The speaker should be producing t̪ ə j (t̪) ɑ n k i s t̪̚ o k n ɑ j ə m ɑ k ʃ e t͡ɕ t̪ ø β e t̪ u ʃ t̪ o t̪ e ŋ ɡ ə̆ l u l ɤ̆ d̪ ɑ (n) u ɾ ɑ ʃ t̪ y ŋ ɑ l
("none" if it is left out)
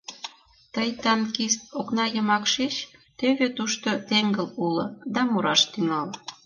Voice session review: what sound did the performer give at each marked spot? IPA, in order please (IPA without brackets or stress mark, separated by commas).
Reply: t̪, m